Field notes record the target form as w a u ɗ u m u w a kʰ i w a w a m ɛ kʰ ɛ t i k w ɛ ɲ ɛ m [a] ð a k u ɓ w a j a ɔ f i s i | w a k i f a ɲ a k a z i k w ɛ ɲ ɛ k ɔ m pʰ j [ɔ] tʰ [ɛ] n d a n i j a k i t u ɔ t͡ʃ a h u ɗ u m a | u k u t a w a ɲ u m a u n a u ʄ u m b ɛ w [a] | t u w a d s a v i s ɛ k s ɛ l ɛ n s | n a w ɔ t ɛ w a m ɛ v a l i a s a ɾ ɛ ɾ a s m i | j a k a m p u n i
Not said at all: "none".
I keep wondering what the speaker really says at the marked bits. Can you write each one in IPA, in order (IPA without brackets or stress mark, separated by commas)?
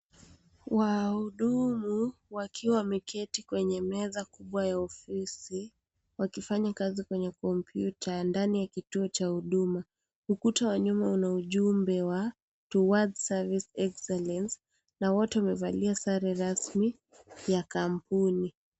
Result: ɛ, u, a, a